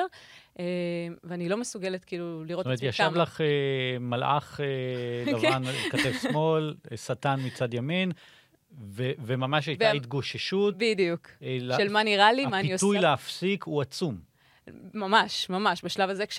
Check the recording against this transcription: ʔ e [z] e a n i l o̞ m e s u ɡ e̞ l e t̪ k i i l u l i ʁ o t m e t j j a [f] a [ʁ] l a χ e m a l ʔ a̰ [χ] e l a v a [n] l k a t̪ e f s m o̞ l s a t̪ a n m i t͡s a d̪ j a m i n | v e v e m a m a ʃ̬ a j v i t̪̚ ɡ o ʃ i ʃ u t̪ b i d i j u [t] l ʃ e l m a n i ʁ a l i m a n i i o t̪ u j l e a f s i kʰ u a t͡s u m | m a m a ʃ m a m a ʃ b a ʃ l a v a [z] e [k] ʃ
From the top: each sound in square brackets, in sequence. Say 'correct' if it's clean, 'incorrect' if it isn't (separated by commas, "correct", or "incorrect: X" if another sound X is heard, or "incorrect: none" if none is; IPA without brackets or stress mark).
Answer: incorrect: v, incorrect: ʃ, incorrect: v, correct, correct, incorrect: k, correct, correct